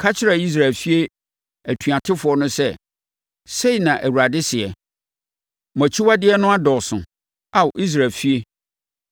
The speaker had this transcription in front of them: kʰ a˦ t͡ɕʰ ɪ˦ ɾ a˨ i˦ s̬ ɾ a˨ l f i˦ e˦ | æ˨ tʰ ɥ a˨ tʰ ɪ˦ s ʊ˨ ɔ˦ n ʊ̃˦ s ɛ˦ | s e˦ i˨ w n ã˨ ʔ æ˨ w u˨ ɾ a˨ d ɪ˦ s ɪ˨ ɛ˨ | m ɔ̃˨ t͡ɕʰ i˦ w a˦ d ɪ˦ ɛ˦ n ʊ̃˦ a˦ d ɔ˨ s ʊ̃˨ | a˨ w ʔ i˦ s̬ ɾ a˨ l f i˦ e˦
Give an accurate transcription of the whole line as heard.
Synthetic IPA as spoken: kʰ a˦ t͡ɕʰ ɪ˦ ɾ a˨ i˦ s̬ ɾ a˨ l f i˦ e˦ | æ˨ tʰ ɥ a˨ tʰ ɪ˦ f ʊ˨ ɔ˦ n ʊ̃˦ s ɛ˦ | s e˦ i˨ n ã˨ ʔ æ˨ w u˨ ɾ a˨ d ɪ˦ s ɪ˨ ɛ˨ | m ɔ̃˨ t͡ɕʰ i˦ w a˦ d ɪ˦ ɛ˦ n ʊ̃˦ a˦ d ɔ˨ s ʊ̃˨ | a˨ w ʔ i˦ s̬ ɾ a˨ l f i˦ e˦